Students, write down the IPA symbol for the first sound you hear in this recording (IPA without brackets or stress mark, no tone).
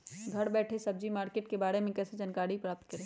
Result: ɡʱ